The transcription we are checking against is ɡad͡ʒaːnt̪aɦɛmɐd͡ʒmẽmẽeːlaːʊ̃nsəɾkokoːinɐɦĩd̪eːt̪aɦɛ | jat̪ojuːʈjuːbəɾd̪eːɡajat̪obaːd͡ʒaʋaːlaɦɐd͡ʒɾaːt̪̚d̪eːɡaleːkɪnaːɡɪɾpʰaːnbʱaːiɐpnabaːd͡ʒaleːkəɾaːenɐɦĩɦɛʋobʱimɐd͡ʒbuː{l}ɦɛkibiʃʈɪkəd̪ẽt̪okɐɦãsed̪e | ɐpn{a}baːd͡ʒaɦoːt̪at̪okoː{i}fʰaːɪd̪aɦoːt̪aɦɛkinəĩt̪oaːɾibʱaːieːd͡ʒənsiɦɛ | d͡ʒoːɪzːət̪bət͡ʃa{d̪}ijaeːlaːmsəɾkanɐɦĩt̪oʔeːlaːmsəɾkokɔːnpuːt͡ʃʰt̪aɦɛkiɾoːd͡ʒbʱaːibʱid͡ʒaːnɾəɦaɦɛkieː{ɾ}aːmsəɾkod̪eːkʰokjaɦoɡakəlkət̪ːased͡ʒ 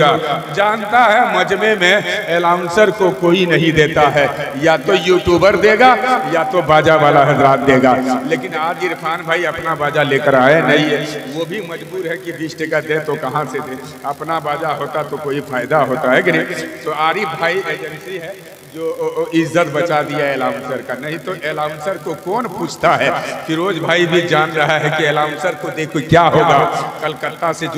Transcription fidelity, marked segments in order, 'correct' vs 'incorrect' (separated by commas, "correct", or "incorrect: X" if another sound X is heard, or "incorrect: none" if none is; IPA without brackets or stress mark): incorrect: ɾ, correct, correct, correct, incorrect: l